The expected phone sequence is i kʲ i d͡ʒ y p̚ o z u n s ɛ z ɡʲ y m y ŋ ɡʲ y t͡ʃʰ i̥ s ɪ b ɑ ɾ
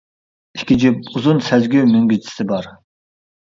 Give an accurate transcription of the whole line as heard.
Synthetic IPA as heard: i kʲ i d͡ʒ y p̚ u z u n s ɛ z ɡʲ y m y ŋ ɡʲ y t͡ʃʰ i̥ s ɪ b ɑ ɾ

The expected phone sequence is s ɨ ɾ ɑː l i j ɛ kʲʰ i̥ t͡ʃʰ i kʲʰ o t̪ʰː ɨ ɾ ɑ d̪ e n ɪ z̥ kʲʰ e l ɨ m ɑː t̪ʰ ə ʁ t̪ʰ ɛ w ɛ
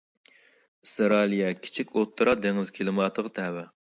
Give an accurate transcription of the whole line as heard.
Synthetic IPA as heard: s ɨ ɾ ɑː l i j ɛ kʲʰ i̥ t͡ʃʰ i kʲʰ o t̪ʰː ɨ ɾ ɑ d̪ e ŋ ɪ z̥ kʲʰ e l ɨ m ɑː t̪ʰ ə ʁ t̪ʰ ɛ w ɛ

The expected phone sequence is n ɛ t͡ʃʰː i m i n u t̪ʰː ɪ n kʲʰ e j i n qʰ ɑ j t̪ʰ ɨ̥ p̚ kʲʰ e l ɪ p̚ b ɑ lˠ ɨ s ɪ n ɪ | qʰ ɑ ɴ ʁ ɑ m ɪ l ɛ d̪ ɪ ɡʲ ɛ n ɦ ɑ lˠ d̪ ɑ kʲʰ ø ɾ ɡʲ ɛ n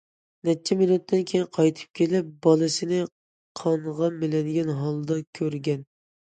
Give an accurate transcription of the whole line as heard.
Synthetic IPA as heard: n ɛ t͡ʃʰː ɛ m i n u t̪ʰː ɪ n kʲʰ e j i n qʰ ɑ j t̪ʰ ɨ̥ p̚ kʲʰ e l ɪ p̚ b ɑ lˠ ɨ s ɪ n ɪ | qʰ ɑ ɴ ʁ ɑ m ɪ l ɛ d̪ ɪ ɡʲ ɛ n ɦ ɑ lˠ d̪ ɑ kʲʰ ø ɾ ɡʲ ɛ n

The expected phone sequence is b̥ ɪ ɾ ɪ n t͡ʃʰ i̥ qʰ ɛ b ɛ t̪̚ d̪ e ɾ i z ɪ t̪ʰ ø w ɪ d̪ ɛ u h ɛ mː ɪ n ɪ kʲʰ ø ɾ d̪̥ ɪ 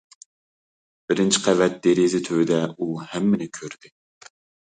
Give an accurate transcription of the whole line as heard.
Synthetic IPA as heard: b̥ ɪ ɾ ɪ n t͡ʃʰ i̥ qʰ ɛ v ɛ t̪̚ d̪ e ɾ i z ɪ t̪ʰ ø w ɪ d̪ ɛ u h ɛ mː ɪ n ɪ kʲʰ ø ɾ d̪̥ ɪ

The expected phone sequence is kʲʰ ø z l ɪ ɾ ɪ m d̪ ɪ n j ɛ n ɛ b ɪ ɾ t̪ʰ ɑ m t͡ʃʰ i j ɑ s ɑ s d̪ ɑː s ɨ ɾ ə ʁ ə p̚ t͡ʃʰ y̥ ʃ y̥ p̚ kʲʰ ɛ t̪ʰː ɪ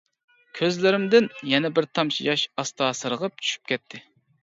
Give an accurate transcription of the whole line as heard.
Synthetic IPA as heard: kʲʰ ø z l ɪ ɾ ɪ m d̪ ɪ n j ɛ n ɛ b ɪ ɾ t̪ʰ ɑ m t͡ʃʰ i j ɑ ʃ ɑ s t̪ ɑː s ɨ ɾ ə ʁ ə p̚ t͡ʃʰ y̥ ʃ y̥ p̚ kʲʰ ɛ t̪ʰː ɪ

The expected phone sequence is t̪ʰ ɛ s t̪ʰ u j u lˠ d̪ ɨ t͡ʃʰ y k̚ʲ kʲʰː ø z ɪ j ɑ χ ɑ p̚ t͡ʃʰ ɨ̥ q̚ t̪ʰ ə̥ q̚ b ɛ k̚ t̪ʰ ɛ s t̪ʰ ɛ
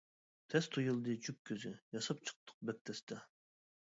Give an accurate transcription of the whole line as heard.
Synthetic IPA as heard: t̪ʰ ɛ s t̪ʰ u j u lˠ d̪ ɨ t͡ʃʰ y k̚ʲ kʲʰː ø z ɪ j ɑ s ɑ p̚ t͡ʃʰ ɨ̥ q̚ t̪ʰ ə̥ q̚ b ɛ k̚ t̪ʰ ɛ s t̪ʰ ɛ

